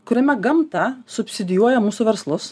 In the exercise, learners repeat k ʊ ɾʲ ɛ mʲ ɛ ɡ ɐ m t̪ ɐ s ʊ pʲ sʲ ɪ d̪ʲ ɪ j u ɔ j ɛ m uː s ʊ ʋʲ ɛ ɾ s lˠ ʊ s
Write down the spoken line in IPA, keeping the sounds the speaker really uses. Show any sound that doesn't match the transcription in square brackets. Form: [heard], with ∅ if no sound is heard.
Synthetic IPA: k ʊ ɾʲ ɛ mʲ ɛ ɡ ɐ m t̪ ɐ s ʊ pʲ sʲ ɪ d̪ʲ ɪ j u ɔ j ɛ m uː s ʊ ʋʲ ɛ ɾ s lˠ ʊ s